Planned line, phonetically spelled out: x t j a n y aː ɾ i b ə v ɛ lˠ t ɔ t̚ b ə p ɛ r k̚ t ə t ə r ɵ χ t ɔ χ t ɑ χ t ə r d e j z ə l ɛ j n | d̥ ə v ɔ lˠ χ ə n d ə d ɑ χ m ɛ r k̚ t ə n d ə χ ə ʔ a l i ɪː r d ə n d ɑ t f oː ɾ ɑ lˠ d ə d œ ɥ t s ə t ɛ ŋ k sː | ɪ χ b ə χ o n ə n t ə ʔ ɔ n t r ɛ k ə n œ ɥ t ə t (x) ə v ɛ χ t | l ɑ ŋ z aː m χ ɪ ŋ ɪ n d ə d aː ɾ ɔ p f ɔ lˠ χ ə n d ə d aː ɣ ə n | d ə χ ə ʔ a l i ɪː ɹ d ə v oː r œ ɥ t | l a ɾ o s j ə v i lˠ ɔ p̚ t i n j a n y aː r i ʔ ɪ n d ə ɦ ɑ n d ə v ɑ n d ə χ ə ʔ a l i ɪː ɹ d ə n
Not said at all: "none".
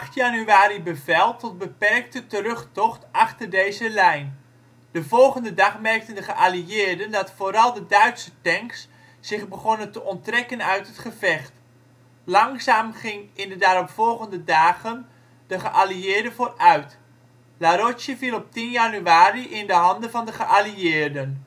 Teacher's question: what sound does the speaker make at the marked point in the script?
χ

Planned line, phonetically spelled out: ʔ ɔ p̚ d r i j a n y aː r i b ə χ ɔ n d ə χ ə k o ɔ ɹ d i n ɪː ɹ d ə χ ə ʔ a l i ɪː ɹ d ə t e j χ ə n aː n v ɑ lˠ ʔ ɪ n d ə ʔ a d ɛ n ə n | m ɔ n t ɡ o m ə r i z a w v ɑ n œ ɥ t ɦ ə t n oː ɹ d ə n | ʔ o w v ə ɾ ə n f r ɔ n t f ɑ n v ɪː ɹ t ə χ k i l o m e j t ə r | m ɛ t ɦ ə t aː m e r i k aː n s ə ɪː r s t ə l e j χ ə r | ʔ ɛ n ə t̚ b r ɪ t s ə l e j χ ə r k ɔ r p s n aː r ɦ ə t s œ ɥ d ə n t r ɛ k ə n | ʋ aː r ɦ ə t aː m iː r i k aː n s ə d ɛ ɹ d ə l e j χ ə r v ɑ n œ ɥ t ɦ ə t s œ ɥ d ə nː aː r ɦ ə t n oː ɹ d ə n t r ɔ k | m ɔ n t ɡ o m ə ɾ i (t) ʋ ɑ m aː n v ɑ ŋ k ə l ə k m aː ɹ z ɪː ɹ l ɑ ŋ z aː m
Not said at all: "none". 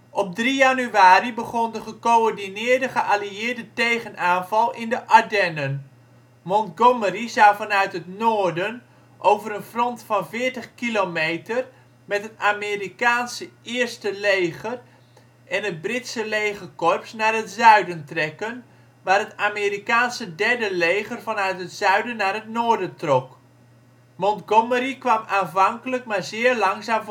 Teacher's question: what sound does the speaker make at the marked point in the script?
k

